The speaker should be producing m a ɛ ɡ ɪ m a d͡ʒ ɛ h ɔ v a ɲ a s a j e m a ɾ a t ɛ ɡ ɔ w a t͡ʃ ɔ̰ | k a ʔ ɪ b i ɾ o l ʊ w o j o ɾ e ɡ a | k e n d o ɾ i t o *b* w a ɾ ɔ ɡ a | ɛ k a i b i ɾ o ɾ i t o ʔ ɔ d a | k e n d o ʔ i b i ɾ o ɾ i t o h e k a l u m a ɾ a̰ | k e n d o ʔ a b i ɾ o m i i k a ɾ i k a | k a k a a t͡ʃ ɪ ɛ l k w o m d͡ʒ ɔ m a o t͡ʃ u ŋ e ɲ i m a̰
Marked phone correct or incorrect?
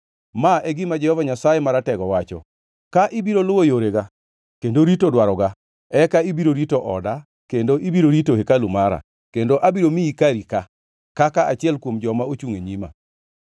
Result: incorrect